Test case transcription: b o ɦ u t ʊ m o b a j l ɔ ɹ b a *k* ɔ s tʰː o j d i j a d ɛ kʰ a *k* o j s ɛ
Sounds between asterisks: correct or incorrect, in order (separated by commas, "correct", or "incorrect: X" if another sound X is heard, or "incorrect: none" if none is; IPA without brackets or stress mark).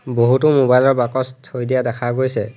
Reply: correct, incorrect: ɡ